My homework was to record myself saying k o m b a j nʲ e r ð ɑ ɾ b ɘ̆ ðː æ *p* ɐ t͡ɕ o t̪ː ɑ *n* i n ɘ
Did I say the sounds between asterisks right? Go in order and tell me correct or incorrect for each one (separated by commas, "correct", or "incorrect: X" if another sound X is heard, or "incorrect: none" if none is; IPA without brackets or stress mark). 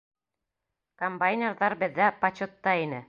correct, incorrect: none